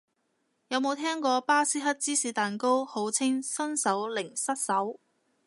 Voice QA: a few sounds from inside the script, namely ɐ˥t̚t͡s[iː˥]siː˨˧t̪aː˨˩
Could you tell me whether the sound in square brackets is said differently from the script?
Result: no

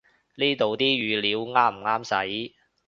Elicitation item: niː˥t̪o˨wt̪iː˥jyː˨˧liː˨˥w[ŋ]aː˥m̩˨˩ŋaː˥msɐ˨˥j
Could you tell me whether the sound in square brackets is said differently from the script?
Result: no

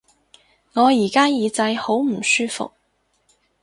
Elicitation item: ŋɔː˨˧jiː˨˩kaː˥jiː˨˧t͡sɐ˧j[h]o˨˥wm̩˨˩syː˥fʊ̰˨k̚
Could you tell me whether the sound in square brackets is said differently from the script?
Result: no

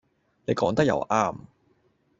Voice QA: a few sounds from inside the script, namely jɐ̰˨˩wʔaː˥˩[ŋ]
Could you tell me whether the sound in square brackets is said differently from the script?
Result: yes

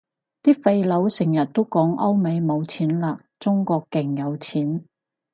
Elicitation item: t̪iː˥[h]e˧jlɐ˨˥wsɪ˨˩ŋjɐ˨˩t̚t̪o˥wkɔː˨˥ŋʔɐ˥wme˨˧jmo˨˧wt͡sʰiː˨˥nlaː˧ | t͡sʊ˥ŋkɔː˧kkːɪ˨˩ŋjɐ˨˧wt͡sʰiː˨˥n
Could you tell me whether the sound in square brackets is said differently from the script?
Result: yes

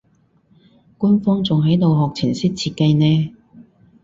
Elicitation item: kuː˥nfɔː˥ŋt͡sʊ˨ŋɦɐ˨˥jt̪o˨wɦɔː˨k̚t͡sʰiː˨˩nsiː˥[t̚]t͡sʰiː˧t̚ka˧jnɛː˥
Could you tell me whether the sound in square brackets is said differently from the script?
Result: no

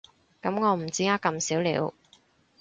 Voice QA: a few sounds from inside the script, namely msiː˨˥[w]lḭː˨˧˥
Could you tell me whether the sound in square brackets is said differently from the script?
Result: no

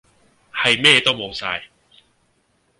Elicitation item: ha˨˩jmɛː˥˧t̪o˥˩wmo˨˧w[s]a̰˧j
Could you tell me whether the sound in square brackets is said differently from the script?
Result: no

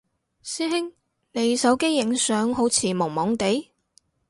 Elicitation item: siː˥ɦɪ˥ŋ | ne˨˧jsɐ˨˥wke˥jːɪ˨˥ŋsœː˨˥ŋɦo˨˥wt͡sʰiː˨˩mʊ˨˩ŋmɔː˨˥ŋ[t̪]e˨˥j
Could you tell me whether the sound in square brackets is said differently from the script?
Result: no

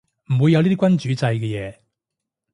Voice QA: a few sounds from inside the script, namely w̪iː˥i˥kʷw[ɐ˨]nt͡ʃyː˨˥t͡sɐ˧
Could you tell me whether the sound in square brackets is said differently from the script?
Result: yes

